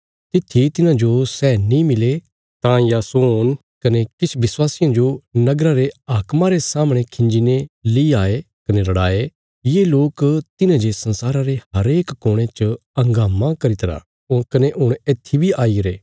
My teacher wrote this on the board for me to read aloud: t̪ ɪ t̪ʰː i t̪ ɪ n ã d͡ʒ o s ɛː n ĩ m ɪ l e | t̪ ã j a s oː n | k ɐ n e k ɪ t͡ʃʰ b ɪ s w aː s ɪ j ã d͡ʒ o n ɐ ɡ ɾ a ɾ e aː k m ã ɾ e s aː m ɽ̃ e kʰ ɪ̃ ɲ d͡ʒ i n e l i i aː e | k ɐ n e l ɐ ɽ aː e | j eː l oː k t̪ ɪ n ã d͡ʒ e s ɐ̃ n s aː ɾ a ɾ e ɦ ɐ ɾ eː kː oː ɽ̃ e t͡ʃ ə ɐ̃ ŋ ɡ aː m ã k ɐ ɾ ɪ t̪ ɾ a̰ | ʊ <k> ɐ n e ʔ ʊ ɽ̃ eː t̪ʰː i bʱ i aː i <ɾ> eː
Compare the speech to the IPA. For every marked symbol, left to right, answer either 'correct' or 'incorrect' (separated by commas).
correct, correct